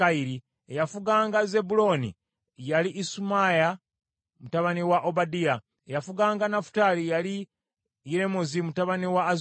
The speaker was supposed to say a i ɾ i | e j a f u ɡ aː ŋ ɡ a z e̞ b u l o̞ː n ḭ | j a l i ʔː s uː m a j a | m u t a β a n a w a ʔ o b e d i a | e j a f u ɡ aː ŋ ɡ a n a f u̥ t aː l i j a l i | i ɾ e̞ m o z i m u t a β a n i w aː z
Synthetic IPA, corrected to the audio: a i ɾ i | e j a f u ɡ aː ŋ ɡ a z e̞ b u l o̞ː n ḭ | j a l i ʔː s u m a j a | m u t a β a n i w a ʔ o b a d i a | e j a f u ɡ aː ŋ ɡ a n a f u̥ t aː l i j a l i | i ɾ e̞ m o z i m u t a β a n i w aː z